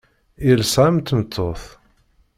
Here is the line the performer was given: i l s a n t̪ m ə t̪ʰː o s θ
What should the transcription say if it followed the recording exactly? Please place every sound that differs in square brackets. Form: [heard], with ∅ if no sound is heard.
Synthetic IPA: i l s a [m] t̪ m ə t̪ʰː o [∅] θ